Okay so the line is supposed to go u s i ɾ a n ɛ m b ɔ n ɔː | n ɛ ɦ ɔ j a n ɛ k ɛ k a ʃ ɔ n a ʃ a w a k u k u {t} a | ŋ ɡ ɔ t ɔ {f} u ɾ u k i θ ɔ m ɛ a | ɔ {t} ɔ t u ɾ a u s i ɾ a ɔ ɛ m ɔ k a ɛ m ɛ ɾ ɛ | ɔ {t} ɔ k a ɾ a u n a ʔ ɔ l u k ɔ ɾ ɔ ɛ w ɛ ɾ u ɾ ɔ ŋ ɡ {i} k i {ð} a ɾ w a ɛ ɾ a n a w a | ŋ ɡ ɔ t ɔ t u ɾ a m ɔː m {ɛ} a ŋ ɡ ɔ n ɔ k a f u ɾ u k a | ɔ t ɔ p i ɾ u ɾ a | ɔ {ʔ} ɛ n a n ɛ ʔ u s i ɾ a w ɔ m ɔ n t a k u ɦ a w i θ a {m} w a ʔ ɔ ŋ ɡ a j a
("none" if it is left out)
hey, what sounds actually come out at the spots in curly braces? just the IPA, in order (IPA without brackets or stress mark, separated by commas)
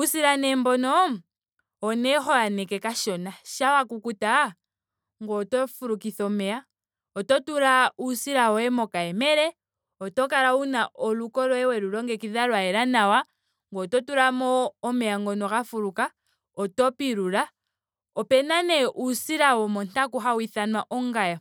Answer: t, f, t, t, ɛ, ð, ɛ, p, n